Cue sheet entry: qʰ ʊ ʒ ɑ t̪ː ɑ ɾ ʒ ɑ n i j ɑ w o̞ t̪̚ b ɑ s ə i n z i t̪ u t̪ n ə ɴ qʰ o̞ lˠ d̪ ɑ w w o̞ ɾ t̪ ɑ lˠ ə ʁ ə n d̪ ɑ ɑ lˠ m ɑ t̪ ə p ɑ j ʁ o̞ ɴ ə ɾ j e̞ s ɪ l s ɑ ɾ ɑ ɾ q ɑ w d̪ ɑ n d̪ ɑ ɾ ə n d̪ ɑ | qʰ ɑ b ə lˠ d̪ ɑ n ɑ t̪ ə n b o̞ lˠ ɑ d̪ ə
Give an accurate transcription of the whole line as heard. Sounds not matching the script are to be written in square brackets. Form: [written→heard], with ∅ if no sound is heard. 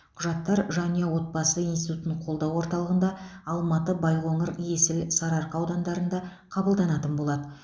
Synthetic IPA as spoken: qʰ ʊ ʒ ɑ t̪ː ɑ ɾ ʒ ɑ n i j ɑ w o̞ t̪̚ b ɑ s ə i n [z→s] i t̪ u t̪ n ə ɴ qʰ o̞ lˠ d̪ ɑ w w o̞ ɾ t̪ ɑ lˠ ə ʁ ə n d̪ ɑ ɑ lˠ m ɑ t̪ ə [p→b] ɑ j ʁ o̞ ɴ ə ɾ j e̞ s ɪ l s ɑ ɾ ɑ ɾ q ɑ w d̪ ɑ n d̪ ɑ ɾ ə n d̪ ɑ | qʰ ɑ b ə lˠ d̪ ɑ n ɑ t̪ ə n b o̞ lˠ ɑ d̪ ə